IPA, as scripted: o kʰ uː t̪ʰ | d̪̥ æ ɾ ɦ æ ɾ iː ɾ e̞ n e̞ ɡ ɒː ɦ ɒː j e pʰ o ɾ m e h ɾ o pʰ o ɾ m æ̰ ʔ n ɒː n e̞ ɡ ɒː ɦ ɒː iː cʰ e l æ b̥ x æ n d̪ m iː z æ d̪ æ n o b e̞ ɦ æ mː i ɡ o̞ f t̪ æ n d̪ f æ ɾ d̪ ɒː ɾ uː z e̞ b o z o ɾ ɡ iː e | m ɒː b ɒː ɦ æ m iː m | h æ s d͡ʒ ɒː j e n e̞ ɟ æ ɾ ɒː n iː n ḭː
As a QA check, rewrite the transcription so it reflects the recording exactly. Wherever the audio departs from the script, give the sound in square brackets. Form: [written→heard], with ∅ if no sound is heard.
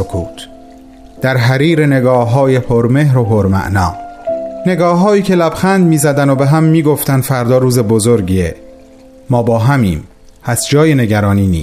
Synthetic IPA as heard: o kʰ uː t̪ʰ | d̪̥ æ ɾ ɦ æ ɾ iː ɾ e̞ n e̞ ɡ ɒː ɦ ɒː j e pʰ o ɾ m e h ɾ o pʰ o ɾ m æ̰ ʔ n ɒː n e̞ ɡ ɒː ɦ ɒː iː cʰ e l æ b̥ x æ n d̪ m iː z æ d̪ æ n o b e̞ ɦ æ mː [i→iː] ɡ o̞ f t̪ æ n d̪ f æ ɾ d̪ ɒː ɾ uː z e̞ b o z o ɾ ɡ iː e | m ɒː b ɒː ɦ æ m iː m | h æ s d͡ʒ ɒː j e n e̞ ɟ æ ɾ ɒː n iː n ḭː